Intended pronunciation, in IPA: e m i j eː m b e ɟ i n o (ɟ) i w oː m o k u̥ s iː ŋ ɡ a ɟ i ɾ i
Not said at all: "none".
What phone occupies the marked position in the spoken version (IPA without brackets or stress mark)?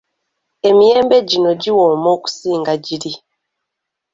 ɟ